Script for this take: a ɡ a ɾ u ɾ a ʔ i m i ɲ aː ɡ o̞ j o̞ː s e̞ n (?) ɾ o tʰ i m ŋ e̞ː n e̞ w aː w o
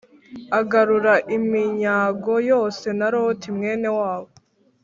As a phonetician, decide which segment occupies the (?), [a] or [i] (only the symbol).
a